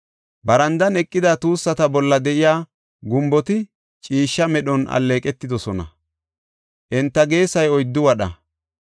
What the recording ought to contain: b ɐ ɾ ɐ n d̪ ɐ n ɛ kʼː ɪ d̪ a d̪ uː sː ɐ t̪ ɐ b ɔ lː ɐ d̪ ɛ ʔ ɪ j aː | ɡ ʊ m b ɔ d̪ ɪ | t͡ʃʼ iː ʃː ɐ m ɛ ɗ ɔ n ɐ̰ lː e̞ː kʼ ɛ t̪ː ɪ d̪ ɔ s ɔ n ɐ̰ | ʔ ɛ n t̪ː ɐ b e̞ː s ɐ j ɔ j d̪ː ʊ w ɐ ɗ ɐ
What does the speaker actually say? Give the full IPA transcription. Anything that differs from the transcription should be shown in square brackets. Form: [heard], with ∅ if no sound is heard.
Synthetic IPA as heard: b ɐ ɾ ɐ n d̪ ɐ n ɛ kʼː ɪ d̪ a [t̪] uː sː ɐ t̪ ɐ b ɔ lː ɐ d̪ ɛ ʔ ɪ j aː | ɡ ʊ m b ɔ [t̪] ɪ | t͡ʃʼ iː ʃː ɐ m ɛ ɗ ɔ n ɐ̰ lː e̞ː kʼ ɛ t̪ː ɪ d̪ ɔ s ɔ n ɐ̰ | ʔ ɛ n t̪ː ɐ [ɡ] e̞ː s ɐ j ɔ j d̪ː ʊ w ɐ ɗ ɐ